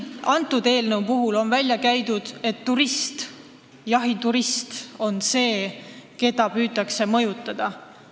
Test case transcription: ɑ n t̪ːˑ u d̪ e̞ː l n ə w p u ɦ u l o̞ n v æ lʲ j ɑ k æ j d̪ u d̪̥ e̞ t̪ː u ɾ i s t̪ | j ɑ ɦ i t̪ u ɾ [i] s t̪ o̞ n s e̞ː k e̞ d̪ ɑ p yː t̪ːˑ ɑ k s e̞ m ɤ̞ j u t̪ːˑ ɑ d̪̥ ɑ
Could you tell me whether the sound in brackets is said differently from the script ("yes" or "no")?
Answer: no